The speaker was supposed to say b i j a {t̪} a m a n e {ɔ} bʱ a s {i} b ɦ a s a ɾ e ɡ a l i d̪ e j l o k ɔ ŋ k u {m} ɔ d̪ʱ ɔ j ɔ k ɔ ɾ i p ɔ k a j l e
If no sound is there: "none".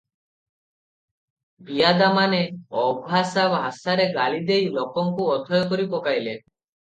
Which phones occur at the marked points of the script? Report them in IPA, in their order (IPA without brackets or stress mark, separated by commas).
d̪, ɔ, a, none